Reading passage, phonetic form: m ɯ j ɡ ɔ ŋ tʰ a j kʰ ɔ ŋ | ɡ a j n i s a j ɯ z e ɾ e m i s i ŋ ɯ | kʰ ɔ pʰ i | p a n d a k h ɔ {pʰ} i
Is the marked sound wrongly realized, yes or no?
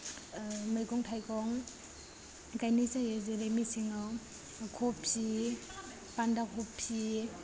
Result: no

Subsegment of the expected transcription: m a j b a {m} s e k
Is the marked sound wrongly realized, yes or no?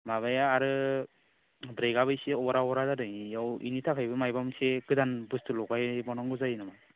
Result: no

